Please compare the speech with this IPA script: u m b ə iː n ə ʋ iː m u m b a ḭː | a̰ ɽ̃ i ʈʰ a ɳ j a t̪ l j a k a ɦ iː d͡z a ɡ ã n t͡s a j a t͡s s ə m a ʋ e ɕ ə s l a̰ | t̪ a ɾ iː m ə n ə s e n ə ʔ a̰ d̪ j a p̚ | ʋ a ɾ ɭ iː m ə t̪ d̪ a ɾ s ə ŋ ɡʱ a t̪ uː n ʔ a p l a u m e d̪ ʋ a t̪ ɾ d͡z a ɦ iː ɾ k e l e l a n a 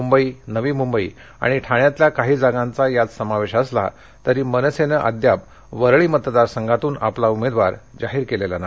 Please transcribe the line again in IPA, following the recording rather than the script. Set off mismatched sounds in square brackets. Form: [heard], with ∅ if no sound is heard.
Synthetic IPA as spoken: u m b ə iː n ə ʋ iː m u m b [ə] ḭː | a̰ ɽ̃ i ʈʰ a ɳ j a t̪ l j a k a ɦ iː d͡z a ɡ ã n t͡s a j a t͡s s ə m a ʋ e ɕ ə s l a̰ | t̪ [ə] ɾ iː m ə n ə s e n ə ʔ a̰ d̪ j a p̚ | ʋ [ə] ɾ ɭ iː m ə t̪ d̪ a ɾ s ə ŋ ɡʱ a t̪ uː n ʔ a p l a u m e d̪ ʋ a [∅] ɾ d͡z a ɦ iː ɾ k e l e l a n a